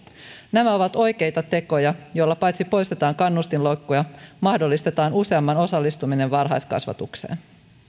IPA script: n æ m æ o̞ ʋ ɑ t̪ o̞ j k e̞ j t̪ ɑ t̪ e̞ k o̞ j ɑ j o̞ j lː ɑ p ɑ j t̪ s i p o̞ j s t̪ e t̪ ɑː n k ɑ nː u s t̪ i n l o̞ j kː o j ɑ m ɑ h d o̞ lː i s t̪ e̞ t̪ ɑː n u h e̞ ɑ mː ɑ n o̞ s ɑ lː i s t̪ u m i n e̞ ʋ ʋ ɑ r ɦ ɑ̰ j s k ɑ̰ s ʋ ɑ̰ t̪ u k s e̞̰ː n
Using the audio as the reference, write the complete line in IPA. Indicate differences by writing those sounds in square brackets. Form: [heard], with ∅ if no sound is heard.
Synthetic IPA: n æ m æ o̞ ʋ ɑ t̪ o̞ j k e̞ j t̪ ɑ t̪ e̞ k o̞ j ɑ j o̞ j lː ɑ p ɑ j t̪ s i p o̞ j s t̪ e t̪ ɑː [ŋ] k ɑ nː u s t̪ i n l o̞ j kː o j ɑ m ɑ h d o̞ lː i s t̪ e̞ t̪ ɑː n u [s] e̞ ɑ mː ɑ n o̞ s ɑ lː i s t̪ u m i n e̞ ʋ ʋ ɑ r ɦ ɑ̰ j s k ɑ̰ s ʋ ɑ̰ t̪ u k s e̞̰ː n

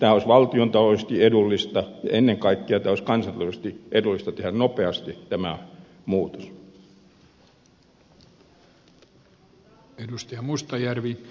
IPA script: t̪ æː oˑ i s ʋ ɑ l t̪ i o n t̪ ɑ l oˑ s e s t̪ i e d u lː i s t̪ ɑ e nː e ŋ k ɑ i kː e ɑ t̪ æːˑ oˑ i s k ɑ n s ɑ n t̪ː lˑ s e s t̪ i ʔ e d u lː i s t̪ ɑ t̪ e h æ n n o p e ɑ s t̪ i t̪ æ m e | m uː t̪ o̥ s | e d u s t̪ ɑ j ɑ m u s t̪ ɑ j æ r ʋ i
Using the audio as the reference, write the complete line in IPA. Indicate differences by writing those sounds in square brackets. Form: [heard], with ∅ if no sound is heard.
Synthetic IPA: t̪ æː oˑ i s ʋ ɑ l t̪ i o n t̪ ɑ l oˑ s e s t̪ i e d u lː i s t̪ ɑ e nː e ŋ k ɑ i kː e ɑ t̪ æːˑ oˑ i s k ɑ n s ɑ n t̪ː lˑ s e s t̪ i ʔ e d u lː i s t̪ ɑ t̪ e h æ n n o p e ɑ s t̪ i t̪ æ m [æ] | m uː t̪ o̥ s | e d u s t̪ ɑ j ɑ m u s t̪ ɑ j æ r ʋ i

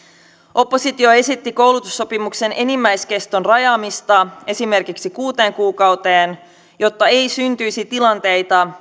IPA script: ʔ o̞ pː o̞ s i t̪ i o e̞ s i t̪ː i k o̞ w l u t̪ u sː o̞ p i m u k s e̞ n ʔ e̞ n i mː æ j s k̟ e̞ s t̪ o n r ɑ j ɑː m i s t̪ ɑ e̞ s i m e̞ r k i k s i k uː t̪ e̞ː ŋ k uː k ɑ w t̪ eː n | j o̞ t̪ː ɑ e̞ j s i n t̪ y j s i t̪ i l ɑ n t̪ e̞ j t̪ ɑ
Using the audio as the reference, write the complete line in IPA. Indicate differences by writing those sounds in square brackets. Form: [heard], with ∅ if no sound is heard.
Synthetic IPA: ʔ o̞ pː o̞ s i t̪ i o e̞ s i t̪ː i k o̞ w l u t̪ u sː o̞ p i m u k s e̞ n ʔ e̞ n i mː æ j s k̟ e̞ s t̪ o n r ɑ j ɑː m i s t̪ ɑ e̞ s i m e̞ r k i k s i k uː t̪ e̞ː ŋ k uː k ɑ w t̪ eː n | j o̞ t̪ː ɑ e̞ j s [y] n t̪ y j s i t̪ i l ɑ n t̪ e̞ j t̪ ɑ

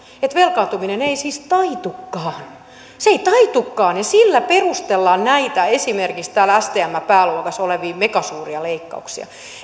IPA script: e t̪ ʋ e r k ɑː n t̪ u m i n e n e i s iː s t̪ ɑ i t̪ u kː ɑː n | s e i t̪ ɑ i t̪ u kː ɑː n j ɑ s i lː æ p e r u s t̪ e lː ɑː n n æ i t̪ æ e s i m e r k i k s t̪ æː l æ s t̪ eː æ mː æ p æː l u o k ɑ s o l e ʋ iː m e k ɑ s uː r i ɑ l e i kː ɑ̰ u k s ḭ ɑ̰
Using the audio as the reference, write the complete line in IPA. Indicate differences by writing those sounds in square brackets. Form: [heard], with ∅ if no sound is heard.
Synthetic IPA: e t̪ ʋ e [l] k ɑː n t̪ u m i n e n e i s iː s t̪ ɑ i t̪ u kː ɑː n | s e i t̪ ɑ i t̪ u kː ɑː n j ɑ s i lː æ p e r u s t̪ e lː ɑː n n æ i t̪ æ e s i m e r k i k s t̪ æː l æ s t̪ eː æ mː æ p æː l u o k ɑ s o l e ʋ iː m e k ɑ s uː r i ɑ l e i kː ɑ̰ u k s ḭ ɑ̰

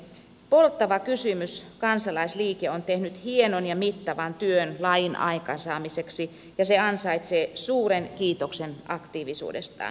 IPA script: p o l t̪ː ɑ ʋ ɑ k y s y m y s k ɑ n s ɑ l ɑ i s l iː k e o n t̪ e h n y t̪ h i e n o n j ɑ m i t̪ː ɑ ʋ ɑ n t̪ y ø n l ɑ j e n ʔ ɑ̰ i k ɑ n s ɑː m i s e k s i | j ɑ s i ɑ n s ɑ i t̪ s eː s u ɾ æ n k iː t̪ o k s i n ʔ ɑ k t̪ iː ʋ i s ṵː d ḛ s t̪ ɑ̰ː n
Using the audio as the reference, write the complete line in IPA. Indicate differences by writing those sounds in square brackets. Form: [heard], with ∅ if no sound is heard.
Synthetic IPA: p o l t̪ː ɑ ʋ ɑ k y s y m y s k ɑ n s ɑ l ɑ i s l iː k e o n t̪ e h n y t̪ h i e n o n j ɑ m i t̪ː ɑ ʋ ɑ n t̪ y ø n l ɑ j [i] n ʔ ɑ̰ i k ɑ n s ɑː m i s e k s i | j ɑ s [e] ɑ n s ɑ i t̪ s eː s [uː] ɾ [e] n k iː t̪ o k s [e] n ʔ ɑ k t̪ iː ʋ i s ṵː d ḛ s t̪ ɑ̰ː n

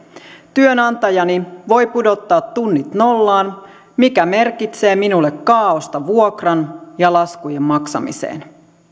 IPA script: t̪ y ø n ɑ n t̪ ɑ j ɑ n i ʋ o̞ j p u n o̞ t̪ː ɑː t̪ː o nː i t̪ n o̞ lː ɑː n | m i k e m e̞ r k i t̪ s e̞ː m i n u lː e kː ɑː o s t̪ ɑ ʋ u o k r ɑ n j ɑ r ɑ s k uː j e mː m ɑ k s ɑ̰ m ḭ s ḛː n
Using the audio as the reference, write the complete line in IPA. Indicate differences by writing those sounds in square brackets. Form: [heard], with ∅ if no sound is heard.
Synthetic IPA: t̪ y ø n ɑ n t̪ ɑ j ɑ n i ʋ o̞ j p u [d] o̞ t̪ː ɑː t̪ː [u] nː i t̪ n o̞ lː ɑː n | m i k [æ] m e̞ r k i t̪ s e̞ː m i n u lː e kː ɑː o s t̪ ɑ ʋ u o k r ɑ n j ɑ [l] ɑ s k [u] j e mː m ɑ k s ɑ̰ m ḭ s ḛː n

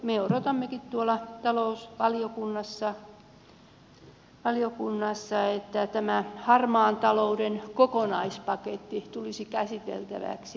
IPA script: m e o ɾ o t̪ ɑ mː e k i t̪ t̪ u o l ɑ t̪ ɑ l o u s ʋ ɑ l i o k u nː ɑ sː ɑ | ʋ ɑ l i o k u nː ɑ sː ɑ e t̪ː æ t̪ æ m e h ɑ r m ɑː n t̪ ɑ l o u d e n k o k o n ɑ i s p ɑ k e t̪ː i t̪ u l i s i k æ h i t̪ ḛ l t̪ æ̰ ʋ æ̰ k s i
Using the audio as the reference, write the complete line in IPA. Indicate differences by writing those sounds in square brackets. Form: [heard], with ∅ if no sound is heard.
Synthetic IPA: m e o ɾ o t̪ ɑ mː e k i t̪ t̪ u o l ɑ t̪ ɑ l o u s ʋ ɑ l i o k u nː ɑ sː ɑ | ʋ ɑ l i o k u nː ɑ sː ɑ e t̪ː æ t̪ æ m [æ] h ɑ r m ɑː n t̪ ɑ l o u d e n k o k o n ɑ i s p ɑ k e t̪ː i t̪ u l i s i k æ [s] i t̪ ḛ l t̪ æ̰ ʋ æ̰ k s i

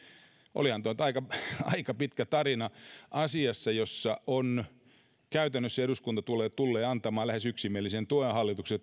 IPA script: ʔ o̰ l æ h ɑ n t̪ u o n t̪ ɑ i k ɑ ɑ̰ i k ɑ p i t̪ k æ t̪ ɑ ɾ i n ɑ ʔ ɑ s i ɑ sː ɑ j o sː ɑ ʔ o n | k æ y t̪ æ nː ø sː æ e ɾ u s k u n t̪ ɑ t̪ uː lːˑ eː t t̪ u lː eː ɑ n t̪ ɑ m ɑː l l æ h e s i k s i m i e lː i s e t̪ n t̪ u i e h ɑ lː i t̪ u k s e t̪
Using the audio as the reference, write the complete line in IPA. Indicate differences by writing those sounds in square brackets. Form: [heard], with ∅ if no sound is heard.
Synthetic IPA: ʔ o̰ l [i] h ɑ n t̪ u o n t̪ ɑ i k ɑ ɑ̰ i k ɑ p i t̪ k æ t̪ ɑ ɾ i n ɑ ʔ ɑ s i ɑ sː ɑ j o sː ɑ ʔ o n | k æ y t̪ æ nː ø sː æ e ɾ u s k u n t̪ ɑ t̪ [u] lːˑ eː t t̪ u lː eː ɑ n t̪ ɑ m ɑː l l æ h e s [y] k s i m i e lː i s e [∅] n t̪ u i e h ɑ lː i t̪ u k s e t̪

